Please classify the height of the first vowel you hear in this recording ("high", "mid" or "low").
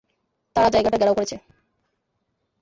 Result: low